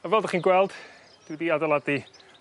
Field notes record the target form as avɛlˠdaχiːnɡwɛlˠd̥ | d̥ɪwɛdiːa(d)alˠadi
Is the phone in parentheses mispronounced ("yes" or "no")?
no